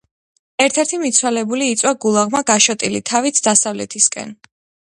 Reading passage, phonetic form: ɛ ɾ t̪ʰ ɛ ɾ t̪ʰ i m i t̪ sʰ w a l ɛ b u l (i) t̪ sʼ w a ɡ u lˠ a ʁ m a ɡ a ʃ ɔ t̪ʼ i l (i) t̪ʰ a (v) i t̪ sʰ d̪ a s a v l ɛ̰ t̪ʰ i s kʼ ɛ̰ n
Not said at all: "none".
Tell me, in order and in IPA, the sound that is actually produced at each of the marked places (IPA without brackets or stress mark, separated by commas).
iː, i, v